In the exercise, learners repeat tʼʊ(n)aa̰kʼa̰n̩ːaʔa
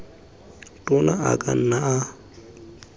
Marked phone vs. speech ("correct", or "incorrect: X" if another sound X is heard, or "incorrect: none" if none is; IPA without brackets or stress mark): correct